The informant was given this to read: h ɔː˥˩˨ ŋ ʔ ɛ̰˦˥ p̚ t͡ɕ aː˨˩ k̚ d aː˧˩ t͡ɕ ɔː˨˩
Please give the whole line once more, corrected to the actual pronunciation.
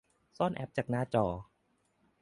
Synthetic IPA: s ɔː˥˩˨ n ʔ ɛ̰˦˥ p̚ t͡ɕ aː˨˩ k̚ n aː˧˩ t͡ɕ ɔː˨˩